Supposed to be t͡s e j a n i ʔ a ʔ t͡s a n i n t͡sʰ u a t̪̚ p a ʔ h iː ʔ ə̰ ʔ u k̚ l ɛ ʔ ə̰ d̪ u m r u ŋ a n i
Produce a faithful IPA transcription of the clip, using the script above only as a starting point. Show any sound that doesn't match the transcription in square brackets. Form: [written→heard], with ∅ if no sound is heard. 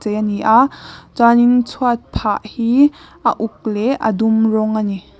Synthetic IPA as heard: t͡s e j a n i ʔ a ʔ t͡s a n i n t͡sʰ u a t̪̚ [p→pʰ] a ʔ h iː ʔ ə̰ ʔ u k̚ l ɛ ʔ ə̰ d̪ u m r [u→ɔ] ŋ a n i

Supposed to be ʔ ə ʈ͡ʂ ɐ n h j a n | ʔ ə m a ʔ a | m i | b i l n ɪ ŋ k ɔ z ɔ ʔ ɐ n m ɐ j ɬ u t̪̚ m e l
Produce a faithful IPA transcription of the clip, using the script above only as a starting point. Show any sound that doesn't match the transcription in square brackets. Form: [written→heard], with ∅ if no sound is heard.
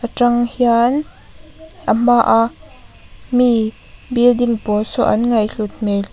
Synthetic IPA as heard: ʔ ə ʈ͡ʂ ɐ [n→ŋ] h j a n | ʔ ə m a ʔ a | m i | b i l [n→d] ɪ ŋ [k→p] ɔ [z→s] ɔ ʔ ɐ n [m→ŋ] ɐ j ɬ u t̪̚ m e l

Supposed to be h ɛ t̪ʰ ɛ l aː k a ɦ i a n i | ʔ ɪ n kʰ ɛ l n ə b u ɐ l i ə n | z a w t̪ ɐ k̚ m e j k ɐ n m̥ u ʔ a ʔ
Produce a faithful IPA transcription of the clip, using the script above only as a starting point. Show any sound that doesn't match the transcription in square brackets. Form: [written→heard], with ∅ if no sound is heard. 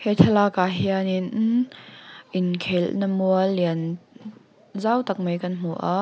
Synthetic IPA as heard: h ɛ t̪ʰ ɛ l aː k a ɦ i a n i | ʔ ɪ n kʰ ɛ l n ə [b→m] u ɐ l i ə n | z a w t̪ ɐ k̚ m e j k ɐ n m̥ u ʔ a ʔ

